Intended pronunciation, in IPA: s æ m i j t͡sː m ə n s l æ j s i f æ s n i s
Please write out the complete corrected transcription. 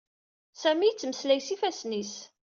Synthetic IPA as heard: s æ m i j t͡sː m ə s l æ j s i f æ s n i s